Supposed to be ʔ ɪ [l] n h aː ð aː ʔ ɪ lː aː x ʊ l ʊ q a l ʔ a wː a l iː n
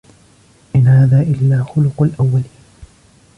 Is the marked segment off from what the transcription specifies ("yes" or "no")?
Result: yes